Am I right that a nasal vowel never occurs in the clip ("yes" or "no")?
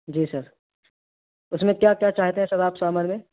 no